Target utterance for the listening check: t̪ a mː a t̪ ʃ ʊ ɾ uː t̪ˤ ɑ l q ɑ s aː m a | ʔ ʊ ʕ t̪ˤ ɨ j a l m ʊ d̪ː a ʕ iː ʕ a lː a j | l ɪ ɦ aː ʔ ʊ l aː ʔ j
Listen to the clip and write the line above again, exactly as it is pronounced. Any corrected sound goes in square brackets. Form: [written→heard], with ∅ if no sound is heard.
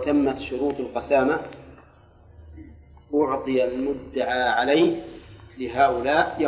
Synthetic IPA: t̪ a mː a t̪ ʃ ʊ ɾ uː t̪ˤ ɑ l q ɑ s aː m a | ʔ ʊ ʕ t̪ˤ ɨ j a l m ʊ d̪ː a ʕ [iː→aː] ʕ a [lː→l] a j | l ɪ ɦ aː ʔ ʊ l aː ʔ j